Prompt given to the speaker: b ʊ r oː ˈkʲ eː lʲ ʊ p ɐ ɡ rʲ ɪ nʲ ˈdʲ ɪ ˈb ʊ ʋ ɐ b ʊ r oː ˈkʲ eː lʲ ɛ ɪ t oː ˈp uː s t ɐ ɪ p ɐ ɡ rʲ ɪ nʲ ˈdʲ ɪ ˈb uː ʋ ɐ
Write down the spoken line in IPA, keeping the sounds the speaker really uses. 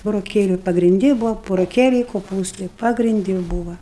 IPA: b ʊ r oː ˈkʲ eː lʲ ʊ p ɐ ɡ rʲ ɪ nʲ ˈdʲ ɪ ˈb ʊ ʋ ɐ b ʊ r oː ˈkʲ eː lʲ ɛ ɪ k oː ˈp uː s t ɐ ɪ p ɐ ɡ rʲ ɪ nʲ ˈdʲ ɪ ˈb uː ʋ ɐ

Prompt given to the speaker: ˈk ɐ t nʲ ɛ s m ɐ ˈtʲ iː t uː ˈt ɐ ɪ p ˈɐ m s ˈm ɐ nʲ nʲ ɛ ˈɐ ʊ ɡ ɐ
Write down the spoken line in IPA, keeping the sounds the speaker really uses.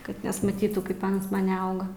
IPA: ˈk ɐ t nʲ ɛ s m ɐ ˈtʲ iː t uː ˈk ɐ ɪ p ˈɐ n s ˈm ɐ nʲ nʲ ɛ ˈɐ ʊ ɡ ɐ

